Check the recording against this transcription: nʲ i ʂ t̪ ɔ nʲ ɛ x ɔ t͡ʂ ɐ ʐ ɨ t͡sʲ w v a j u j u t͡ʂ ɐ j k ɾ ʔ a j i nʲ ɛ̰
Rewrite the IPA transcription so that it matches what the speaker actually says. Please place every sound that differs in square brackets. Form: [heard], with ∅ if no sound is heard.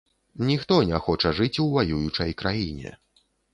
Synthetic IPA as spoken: nʲ i [x] t̪ ɔ nʲ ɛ x ɔ t͡ʂ ɐ ʐ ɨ t͡sʲ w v a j u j u t͡ʂ ɐ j k ɾ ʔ a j i nʲ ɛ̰